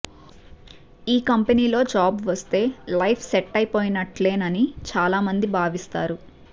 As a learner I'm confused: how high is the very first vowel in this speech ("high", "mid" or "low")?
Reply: high